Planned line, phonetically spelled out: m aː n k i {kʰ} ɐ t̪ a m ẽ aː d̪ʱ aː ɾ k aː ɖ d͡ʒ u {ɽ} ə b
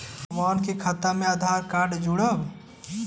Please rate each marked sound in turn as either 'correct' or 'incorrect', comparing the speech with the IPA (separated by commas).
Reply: correct, correct